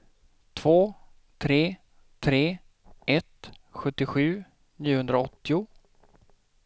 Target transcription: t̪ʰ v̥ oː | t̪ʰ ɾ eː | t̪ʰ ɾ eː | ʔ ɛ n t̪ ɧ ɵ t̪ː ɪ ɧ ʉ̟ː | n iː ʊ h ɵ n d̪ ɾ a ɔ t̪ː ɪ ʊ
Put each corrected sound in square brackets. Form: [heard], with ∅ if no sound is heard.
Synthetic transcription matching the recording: t̪ʰ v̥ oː | t̪ʰ ɾ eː | t̪ʰ ɾ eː | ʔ ɛ [∅] t̪ ɧ ɵ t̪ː ɪ ɧ ʉ̟ː | n iː ʊ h ɵ n d̪ ɾ a ɔ t̪ː ɪ ʊ